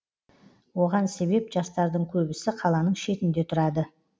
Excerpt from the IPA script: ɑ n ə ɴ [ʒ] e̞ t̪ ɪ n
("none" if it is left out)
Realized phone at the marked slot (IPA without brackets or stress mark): ʃ